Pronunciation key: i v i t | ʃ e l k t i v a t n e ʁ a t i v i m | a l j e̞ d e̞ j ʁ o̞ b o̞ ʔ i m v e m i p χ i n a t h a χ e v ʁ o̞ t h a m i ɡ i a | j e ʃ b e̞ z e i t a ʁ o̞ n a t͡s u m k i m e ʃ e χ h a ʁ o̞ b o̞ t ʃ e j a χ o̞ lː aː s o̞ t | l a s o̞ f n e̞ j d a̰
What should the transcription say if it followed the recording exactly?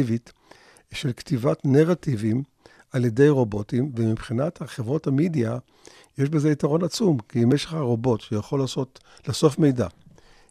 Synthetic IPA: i v i t | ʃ e l k t i v a t n e ʁ a t i v i m | a l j e̞ d e̞ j ʁ o̞ b o̞ t i m v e m i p χ i n a t h a χ e v ʁ o̞ t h a m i d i a | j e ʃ b e̞ z e i t a ʁ o̞ n a t͡s u m k i m e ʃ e χ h a ʁ o̞ b o̞ t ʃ e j a χ o̞ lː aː s o̞ t | l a s o̞ f m e̞ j d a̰